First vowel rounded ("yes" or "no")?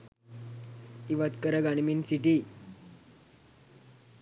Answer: no